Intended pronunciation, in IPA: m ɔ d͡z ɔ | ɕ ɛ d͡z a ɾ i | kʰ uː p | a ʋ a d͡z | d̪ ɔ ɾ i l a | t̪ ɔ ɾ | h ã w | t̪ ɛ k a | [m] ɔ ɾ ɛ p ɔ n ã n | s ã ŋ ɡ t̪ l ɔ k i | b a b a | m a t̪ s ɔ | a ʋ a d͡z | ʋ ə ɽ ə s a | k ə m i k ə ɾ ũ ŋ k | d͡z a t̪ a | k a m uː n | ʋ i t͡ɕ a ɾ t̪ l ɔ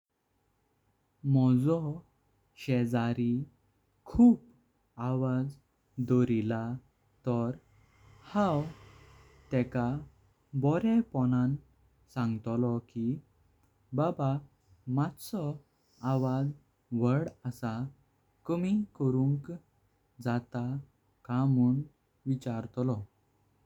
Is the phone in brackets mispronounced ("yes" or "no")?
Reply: yes